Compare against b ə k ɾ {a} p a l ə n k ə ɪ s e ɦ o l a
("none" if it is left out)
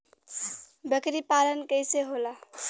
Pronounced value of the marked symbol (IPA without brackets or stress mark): i